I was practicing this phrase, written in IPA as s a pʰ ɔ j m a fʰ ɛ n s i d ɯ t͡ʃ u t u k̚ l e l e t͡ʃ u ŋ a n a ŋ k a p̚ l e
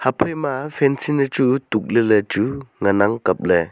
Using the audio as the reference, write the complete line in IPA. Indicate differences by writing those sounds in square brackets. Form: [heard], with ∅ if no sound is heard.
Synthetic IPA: [h] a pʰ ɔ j m a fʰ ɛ n s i [n] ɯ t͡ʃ u t u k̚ l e l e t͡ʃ u ŋ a n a ŋ k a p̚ l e